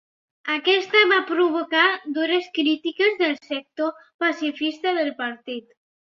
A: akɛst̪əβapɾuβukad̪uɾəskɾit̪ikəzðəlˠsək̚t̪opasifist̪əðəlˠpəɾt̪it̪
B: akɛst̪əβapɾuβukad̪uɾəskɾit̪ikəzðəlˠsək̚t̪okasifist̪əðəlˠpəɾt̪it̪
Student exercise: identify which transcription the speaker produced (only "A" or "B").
A